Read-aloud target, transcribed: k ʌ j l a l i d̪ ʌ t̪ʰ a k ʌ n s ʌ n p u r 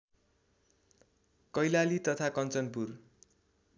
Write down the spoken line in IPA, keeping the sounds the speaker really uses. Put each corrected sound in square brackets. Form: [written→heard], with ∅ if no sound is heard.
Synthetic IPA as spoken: k ʌ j l a l i [d̪→t̪] ʌ t̪ʰ a k ʌ n [s→t͡s] ʌ n p u r